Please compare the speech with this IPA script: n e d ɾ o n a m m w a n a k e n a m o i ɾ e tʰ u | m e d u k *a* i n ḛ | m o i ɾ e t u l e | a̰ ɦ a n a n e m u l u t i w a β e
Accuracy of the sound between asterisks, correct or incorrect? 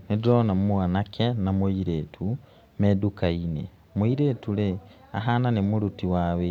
correct